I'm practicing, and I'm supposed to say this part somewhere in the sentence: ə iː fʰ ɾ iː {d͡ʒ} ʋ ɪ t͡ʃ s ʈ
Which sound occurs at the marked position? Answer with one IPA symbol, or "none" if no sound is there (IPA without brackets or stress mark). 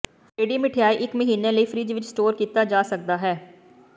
d͡ʒ